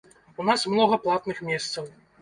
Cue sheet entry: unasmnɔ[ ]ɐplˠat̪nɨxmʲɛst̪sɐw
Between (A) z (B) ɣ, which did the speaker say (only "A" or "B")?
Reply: B